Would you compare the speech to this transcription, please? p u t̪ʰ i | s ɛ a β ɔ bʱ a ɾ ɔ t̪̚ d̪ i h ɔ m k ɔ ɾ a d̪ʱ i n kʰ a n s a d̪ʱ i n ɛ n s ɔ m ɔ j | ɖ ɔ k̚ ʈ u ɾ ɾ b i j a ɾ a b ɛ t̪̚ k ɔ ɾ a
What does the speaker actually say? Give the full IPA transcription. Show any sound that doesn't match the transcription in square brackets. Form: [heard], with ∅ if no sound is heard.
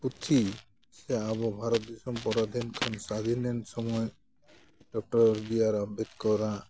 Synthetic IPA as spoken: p u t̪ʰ i | s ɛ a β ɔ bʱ a ɾ ɔ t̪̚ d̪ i [s] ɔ m [p] ɔ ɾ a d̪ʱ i n kʰ a n s a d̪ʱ i n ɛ n s ɔ m ɔ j | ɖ ɔ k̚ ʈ [ɔ] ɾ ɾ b i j a ɾ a b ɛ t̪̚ k ɔ ɾ a